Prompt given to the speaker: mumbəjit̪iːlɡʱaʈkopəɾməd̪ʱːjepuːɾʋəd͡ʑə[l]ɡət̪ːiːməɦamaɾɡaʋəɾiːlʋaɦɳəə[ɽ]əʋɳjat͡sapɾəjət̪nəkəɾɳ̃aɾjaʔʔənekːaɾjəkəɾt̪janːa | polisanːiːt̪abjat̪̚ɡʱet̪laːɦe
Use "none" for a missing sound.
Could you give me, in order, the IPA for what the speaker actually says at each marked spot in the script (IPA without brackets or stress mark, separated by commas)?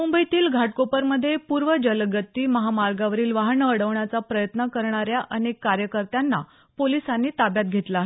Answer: l, ɽ